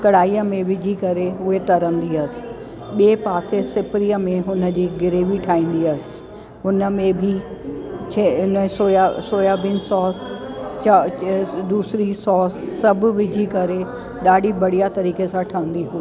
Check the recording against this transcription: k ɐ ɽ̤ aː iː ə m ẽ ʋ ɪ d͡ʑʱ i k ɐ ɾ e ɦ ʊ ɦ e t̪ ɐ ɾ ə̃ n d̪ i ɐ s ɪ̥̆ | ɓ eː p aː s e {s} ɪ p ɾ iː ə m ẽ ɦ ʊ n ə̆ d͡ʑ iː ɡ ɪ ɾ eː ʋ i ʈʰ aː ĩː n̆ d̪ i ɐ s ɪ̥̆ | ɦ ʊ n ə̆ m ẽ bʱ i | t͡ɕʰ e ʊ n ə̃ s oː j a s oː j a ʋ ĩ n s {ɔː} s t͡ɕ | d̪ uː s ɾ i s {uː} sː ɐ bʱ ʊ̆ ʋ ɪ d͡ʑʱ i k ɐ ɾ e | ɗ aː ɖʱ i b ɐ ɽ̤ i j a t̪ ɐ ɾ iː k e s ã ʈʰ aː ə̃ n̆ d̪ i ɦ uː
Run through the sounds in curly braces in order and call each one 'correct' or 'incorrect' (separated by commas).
correct, correct, incorrect